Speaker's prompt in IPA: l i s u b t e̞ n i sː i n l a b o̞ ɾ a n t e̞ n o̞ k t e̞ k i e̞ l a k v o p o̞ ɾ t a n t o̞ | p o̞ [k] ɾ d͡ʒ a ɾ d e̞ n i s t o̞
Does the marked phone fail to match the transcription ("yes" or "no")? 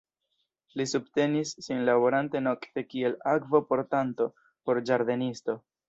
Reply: yes